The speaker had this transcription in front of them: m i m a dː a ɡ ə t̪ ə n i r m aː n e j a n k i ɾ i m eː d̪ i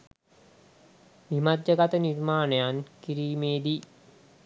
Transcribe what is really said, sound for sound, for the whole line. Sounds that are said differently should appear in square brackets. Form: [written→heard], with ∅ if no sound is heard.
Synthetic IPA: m i m a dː [a→ə] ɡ [ə→a] t̪ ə n i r m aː n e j a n k i ɾ [i→iː] m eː d̪ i